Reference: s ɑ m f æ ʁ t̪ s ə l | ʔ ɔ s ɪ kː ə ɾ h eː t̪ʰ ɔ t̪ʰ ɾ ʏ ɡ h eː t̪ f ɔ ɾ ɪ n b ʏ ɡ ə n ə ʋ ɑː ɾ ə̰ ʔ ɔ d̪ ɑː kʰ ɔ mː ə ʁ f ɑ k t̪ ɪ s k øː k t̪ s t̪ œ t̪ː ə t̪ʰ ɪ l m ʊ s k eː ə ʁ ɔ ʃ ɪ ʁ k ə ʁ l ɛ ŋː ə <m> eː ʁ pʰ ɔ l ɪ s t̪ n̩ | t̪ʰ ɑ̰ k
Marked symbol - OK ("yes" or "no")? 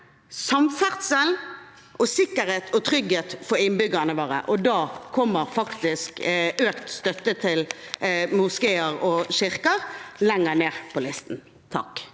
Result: no